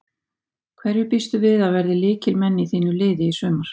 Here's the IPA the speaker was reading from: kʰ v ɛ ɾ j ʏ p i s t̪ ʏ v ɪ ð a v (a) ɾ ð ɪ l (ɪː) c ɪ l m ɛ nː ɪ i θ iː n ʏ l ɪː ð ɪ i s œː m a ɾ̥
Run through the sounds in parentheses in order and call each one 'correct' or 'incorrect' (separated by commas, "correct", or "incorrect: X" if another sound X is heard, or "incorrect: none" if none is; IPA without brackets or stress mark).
incorrect: ɛ, correct